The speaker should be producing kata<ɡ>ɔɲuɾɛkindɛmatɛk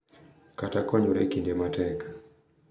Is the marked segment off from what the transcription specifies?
yes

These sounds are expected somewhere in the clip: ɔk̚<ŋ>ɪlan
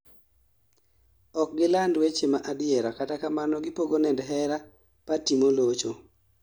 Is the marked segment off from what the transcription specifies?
yes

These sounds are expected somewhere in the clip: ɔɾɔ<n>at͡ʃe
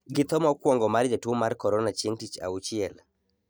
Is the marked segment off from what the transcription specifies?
no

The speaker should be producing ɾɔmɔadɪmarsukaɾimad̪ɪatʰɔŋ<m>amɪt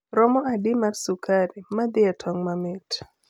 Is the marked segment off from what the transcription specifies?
no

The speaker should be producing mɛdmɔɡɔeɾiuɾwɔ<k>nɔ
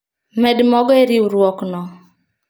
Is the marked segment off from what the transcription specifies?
no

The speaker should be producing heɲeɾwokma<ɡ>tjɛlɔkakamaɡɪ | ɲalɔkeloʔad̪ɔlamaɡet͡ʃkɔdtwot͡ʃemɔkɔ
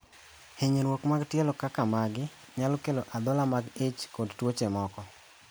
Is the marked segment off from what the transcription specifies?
no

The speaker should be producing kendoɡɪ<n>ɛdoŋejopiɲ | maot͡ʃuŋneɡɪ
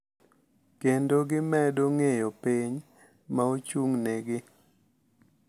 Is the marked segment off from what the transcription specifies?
yes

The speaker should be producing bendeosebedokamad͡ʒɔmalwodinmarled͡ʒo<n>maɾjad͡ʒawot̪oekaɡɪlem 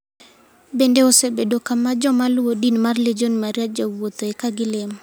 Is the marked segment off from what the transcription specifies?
no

